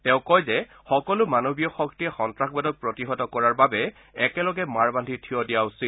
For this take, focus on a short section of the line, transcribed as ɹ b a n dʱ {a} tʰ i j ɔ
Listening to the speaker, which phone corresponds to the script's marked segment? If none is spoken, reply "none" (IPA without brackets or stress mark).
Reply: i